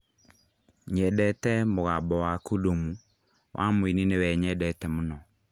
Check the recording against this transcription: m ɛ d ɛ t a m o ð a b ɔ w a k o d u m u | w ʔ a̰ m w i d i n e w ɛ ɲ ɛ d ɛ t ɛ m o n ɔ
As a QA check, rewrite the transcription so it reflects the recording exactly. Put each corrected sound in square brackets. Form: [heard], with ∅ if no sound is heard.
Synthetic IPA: [ɲ] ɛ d ɛ t [ɛ] m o [ɣ] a b ɔ w a k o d [o] m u | w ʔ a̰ m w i [n] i n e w ɛ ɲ ɛ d ɛ t ɛ m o n ɔ